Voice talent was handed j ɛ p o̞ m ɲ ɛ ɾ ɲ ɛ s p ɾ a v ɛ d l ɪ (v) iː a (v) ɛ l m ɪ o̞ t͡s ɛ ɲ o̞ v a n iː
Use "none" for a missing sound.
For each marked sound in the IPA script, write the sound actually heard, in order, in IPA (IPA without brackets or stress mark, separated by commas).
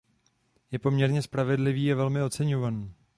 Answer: v, v